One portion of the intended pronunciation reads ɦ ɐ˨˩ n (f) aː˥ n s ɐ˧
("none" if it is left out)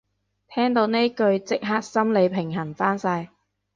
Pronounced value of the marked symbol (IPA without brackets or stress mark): f